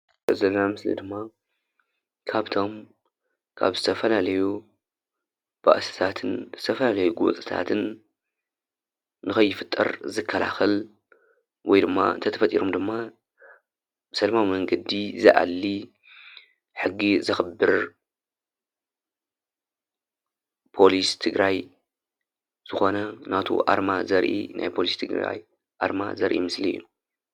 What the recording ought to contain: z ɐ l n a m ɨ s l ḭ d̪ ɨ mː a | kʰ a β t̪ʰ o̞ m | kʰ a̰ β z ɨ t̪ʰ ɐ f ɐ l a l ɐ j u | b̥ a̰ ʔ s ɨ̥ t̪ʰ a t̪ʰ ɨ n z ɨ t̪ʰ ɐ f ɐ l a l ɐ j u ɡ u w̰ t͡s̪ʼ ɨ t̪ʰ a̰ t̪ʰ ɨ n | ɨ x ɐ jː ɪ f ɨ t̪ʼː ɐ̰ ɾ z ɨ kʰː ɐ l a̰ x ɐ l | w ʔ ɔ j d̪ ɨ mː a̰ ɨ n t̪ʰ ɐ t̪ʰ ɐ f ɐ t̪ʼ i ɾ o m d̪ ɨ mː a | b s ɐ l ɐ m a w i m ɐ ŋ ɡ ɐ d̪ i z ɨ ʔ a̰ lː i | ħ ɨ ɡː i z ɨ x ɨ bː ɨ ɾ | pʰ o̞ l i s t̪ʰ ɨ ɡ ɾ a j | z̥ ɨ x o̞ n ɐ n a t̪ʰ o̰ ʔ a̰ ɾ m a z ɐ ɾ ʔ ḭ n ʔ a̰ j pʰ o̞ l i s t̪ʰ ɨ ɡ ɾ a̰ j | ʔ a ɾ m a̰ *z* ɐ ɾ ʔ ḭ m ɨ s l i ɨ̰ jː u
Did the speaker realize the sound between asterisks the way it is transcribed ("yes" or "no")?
yes